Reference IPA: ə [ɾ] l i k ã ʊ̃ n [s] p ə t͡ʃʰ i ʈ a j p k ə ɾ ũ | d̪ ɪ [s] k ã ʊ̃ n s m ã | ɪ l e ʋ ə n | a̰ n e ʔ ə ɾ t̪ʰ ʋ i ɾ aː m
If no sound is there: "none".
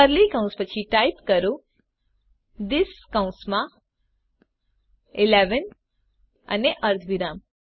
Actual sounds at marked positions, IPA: ɾ, s, s

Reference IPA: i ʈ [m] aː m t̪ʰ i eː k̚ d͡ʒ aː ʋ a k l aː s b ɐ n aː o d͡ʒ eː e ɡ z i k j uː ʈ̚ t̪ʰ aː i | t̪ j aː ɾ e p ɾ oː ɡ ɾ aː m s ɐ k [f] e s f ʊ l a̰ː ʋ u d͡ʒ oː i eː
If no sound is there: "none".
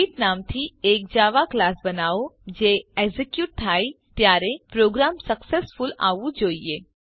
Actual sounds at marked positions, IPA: n, s

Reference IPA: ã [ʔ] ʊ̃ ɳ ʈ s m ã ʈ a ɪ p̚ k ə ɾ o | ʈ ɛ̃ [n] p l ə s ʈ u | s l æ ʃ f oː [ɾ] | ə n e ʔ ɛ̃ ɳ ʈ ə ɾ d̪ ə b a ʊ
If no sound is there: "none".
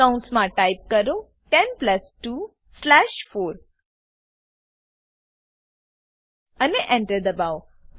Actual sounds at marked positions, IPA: none, n, ɾ

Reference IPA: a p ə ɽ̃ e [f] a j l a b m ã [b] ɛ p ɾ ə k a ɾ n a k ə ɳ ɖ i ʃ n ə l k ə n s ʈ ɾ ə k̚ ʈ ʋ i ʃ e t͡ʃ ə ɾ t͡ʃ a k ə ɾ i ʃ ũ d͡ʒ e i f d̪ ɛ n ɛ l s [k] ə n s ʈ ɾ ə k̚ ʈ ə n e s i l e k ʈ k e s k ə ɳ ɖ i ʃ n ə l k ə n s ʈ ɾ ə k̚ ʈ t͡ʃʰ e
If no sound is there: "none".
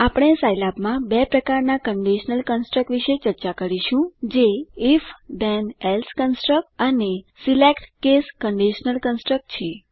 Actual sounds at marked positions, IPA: s, b, k

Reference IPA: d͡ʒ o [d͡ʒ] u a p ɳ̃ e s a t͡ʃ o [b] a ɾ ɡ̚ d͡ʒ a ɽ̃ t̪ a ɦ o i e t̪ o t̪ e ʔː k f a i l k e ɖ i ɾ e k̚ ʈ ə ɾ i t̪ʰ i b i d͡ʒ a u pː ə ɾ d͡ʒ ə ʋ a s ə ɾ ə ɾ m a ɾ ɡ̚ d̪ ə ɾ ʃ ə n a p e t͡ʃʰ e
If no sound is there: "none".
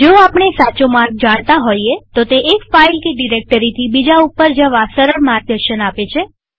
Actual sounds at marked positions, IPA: none, m

